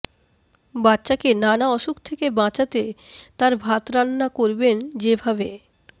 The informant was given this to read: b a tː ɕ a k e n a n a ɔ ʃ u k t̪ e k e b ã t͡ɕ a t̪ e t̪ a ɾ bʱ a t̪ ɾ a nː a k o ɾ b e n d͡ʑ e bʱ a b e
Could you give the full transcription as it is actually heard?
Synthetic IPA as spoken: b a tː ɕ a k e n a n a ɔ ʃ u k t̪ʰ e k e b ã t͡ɕ a t̪ e t̪ a ɾ bʱ a t̪ ɾ a nː a k o ɾ b e n d͡ʑ e bʱ a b e